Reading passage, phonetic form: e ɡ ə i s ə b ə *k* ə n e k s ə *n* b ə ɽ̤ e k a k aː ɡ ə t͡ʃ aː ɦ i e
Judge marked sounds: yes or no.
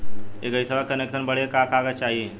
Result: yes, yes

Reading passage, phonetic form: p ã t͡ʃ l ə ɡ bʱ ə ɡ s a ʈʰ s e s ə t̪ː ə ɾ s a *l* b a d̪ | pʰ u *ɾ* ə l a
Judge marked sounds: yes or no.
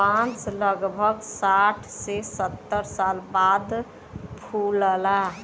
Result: yes, no

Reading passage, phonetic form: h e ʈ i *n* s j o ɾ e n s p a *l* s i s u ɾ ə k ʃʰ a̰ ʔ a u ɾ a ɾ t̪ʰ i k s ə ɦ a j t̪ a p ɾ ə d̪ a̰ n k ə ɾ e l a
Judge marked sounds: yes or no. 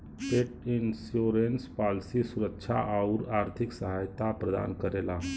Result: yes, yes

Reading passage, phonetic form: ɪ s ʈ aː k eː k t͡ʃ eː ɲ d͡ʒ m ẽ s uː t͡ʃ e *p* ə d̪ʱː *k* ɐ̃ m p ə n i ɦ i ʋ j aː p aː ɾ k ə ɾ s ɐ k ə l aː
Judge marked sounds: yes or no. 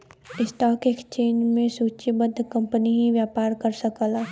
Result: no, yes

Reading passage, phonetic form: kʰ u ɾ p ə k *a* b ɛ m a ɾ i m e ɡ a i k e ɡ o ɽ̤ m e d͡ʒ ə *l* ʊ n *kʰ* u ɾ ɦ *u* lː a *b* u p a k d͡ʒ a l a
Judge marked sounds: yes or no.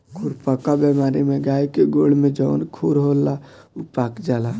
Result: yes, no, yes, no, no

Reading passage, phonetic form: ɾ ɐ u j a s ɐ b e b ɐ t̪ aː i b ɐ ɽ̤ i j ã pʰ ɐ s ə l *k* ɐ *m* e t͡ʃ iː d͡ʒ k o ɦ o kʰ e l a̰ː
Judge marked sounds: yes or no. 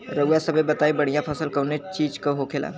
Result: yes, no

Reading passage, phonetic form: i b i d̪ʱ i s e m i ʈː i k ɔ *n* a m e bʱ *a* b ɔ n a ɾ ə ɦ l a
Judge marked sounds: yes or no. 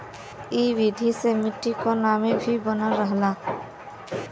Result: yes, no

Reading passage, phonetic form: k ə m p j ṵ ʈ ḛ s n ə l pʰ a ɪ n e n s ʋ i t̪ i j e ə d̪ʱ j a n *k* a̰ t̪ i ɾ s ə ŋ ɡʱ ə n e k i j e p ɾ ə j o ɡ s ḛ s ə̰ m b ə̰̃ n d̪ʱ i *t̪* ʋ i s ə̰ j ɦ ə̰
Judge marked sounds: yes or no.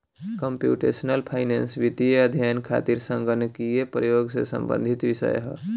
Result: no, yes

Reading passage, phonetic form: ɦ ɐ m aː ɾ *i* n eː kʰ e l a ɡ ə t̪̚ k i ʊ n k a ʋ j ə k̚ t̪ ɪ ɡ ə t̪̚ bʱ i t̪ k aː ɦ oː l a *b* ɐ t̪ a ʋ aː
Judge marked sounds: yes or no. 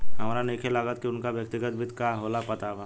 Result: no, no

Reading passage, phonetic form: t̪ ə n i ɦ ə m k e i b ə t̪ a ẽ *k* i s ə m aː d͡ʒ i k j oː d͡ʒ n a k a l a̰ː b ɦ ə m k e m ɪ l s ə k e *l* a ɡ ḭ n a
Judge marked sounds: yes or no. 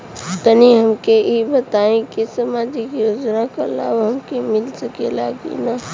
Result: yes, yes

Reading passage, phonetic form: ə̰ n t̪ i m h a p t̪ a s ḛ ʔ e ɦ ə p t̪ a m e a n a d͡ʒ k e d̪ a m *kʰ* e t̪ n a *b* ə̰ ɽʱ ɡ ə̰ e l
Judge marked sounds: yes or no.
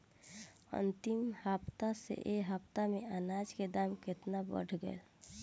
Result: no, yes

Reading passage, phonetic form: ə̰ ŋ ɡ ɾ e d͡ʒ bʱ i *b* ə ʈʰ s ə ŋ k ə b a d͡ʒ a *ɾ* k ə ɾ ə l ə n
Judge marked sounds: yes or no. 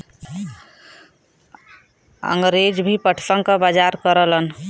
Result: no, yes

